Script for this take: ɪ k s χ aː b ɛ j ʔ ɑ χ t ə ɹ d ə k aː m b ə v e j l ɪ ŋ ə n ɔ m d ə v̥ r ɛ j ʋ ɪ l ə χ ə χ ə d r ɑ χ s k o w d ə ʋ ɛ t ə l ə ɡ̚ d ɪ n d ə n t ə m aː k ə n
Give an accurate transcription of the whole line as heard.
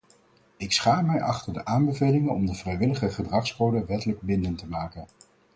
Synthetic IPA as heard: ɪ k s χ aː m ɛ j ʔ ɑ χ t ə ɹ d ə ʔ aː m b ə v e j l ɪ ŋ ə n ɔ m d ə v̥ r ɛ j ʋ ɪ l ə χ ə χ ə d r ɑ χ s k o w d ə ʋ ɛ t ə l ə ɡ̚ b ɪ n d ə n t ə m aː k ə n